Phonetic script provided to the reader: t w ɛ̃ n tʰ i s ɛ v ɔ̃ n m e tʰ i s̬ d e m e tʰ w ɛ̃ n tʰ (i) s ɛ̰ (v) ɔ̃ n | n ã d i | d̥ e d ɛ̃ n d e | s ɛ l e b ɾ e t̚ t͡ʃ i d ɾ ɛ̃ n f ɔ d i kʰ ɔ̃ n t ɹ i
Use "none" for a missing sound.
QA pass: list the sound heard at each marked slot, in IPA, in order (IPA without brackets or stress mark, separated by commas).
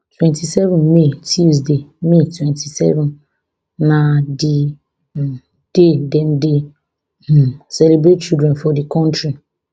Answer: i, v